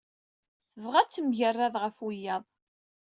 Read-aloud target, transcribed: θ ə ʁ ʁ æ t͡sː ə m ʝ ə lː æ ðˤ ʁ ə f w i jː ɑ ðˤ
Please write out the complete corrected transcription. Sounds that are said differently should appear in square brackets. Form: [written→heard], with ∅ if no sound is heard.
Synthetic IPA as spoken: θ ə [ʁ→v] ʁ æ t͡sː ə m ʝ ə [lː→rː] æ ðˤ ʁ ə f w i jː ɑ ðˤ